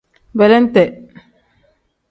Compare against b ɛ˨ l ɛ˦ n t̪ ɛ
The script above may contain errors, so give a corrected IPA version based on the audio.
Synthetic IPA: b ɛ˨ l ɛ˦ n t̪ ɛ